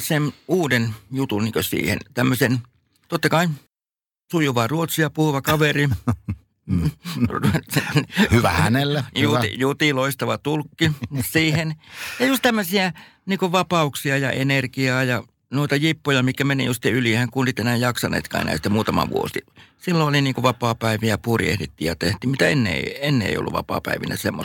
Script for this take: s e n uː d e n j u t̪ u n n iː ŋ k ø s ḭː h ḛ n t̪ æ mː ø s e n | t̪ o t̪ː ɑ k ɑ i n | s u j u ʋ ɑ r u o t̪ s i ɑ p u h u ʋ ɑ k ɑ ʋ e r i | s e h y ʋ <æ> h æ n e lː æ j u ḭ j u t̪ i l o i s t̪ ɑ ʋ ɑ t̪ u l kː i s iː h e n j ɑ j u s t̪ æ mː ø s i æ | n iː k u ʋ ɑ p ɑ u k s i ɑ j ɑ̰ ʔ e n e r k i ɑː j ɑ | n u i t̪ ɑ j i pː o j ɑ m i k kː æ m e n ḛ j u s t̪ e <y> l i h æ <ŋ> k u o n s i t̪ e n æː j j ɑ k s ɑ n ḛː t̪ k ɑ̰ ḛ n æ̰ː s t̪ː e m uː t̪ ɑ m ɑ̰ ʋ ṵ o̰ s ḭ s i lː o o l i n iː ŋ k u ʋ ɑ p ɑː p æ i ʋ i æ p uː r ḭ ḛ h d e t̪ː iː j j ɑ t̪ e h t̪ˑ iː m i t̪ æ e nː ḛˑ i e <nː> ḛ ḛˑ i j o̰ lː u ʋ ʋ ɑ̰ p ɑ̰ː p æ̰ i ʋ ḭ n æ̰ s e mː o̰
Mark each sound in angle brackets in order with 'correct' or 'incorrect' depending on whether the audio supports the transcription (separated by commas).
correct, correct, correct, correct